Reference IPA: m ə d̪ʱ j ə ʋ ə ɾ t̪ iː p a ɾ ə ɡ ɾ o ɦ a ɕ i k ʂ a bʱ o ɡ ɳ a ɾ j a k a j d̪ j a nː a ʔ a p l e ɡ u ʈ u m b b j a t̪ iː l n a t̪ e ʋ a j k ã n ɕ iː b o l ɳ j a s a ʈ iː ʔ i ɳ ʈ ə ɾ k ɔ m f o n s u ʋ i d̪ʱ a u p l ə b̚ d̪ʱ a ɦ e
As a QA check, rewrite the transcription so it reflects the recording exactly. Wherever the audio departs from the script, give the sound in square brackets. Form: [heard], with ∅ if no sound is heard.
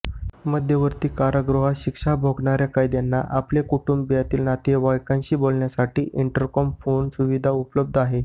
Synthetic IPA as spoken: m ə d̪ʱ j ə ʋ ə ɾ t̪ iː [k] a ɾ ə ɡ ɾ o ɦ a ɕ i k ʂ a bʱ o ɡ ɳ a ɾ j a k a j d̪ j a nː a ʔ a p l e [k] u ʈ u m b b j a t̪ iː l n a t̪ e ʋ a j k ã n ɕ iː b o l ɳ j a s a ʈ iː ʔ i ɳ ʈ ə ɾ k ɔ m f o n s u ʋ i d̪ʱ a u p l ə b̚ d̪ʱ a ɦ e